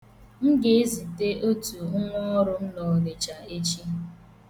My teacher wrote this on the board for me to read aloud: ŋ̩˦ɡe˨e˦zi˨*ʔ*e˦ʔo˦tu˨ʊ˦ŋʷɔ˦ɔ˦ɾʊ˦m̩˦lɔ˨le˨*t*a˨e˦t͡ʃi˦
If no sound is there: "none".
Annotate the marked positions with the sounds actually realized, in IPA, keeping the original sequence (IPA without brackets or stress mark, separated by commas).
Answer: t, t͡ʃ